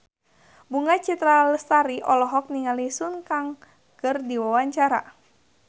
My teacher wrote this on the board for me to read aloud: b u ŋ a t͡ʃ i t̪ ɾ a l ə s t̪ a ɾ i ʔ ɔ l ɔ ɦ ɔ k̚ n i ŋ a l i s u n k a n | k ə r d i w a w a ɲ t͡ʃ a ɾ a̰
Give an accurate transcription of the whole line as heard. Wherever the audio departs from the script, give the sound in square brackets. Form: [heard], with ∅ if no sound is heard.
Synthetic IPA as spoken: b u ŋ a t͡ʃ i t̪ ɾ a l ə s t̪ a ɾ i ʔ ɔ l ɔ ɦ ɔ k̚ n i ŋ a l i s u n k a [ŋ] | k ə r d i w a w a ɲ t͡ʃ a ɾ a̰